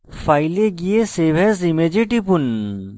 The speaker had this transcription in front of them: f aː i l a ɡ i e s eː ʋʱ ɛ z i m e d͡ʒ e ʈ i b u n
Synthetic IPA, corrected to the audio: f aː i l e ɡ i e s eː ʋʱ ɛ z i m e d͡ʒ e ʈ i p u n